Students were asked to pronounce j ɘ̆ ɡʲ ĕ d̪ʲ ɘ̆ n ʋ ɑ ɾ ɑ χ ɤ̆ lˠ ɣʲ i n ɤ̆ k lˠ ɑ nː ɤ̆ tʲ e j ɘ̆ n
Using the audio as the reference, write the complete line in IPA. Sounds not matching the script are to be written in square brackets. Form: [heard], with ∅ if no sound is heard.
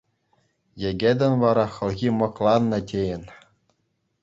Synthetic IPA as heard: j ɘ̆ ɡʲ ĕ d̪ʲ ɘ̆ n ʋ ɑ ɾ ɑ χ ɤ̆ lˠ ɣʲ i [m] ɤ̆ k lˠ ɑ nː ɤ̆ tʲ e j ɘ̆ n